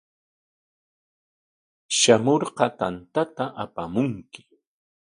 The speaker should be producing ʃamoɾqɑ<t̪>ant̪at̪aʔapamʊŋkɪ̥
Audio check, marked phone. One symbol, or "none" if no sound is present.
t̪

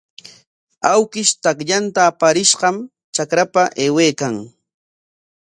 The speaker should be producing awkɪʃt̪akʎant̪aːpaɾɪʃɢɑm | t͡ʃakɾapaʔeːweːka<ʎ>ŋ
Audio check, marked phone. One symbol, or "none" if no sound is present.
none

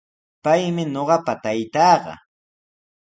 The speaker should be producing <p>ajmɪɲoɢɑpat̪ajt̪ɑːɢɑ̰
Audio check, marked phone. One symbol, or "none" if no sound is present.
p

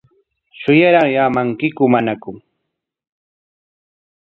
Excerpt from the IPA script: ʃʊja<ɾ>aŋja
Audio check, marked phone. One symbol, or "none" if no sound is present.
ɾ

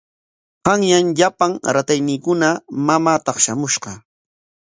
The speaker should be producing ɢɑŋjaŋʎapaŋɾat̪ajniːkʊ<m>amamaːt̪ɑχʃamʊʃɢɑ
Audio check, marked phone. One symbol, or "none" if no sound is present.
n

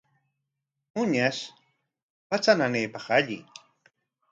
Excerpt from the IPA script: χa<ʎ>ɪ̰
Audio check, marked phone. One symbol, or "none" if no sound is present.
ʎ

